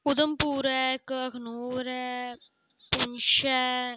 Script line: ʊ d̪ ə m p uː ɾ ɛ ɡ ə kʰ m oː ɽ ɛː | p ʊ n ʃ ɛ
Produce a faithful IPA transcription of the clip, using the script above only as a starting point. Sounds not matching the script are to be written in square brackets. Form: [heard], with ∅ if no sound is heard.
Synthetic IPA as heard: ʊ d̪ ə m p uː ɾ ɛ [k] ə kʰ [n] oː [ɾ] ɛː | p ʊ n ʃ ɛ